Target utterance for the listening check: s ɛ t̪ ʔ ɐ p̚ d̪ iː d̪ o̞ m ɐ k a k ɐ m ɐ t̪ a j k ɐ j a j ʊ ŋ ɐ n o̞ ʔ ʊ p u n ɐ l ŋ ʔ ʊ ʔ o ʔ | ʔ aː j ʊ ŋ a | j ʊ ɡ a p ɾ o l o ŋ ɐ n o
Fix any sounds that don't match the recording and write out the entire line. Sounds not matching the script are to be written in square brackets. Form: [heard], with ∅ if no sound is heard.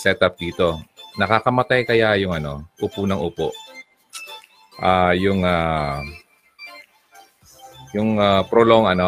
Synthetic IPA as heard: s ɛ t̪ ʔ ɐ p̚ d̪ iː [t̪] o̞ [n] ɐ k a k ɐ m ɐ t̪ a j k ɐ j a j ʊ ŋ ɐ n o̞ ʔ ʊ p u n ɐ [∅] ŋ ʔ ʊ [p] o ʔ | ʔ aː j ʊ ŋ a | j ʊ [ŋ] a p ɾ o l o ŋ ɐ n o